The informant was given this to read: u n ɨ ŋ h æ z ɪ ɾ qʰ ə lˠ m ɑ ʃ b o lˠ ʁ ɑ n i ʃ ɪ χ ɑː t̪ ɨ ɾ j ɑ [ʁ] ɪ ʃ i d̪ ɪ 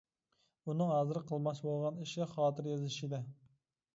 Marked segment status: incorrect: z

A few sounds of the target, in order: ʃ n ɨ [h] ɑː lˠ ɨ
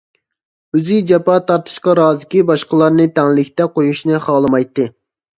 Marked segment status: incorrect: χ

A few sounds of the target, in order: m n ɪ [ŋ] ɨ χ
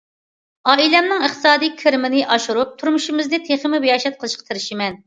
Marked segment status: correct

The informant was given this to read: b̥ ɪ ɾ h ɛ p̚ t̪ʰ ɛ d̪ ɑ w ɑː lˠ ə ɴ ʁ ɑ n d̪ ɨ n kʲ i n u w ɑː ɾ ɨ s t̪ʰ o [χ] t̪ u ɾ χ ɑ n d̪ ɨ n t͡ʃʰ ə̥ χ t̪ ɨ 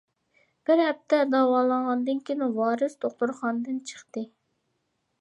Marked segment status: correct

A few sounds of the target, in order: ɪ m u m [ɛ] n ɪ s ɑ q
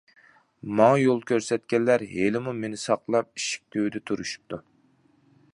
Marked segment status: incorrect: e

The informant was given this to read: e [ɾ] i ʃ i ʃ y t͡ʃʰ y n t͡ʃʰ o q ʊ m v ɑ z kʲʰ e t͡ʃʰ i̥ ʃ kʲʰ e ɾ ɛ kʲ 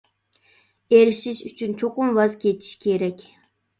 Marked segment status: correct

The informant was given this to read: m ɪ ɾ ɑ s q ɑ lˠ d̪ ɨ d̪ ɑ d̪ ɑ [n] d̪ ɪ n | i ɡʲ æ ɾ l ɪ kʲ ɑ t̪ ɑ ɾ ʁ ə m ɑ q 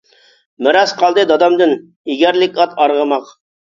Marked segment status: incorrect: m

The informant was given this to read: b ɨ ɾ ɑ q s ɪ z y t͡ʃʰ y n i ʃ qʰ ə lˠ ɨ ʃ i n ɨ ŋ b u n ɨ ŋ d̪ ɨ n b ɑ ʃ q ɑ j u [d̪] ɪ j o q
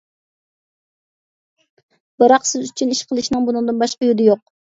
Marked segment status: correct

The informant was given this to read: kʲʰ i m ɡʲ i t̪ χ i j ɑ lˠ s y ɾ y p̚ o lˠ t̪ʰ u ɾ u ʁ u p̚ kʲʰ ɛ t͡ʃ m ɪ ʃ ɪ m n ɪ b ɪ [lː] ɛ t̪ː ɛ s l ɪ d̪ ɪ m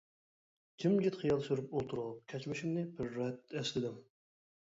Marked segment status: incorrect: ɾː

